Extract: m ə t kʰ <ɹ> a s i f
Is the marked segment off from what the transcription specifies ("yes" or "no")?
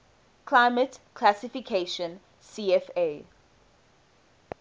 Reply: yes